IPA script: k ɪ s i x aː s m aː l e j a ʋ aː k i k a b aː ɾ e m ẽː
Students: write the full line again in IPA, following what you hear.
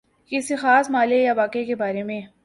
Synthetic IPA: k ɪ s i x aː s m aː l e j a ʋ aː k e k e b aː ɾ e m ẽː